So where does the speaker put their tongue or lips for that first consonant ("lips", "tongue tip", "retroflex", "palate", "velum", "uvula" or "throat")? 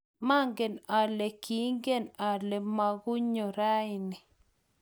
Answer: lips